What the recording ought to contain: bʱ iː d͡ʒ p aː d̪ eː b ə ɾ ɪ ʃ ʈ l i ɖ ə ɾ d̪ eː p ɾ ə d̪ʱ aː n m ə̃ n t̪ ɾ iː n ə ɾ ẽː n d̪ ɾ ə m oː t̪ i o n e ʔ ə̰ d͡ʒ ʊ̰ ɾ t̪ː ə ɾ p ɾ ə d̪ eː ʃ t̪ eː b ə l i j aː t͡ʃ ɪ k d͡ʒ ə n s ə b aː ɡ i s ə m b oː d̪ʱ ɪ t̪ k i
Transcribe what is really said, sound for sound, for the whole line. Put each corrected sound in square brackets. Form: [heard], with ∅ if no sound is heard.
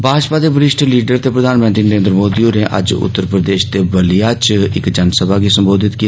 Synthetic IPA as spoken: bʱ [aː] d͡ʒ p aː d̪ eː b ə ɾ ɪ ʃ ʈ l [iː] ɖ ə ɾ [t̪] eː p ɾ ə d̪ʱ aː n m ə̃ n t̪ ɾ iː n ə ɾ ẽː n d̪ ɾ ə m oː [d̪] i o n e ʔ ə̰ d͡ʒ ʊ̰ [∅] t̪ː ə ɾ p ɾ ə d̪ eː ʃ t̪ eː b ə l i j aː t͡ʃ ɪ k d͡ʒ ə n s ə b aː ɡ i s ə m b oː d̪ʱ ɪ t̪ k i